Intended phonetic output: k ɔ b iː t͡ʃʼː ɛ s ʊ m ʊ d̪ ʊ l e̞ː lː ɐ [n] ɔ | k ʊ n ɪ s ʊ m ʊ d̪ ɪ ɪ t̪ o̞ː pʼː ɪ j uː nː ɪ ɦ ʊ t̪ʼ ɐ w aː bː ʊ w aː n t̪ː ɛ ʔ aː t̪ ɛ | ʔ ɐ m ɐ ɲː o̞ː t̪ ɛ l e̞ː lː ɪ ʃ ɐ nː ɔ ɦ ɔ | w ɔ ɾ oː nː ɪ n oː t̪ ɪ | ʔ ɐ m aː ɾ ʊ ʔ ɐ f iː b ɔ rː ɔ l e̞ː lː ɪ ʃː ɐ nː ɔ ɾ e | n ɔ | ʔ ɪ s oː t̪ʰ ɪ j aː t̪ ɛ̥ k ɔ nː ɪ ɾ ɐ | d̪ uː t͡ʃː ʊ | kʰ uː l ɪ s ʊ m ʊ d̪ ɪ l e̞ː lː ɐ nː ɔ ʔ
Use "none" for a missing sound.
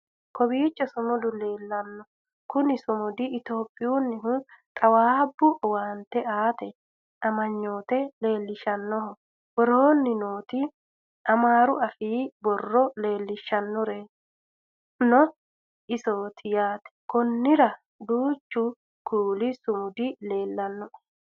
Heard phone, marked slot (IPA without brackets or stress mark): nː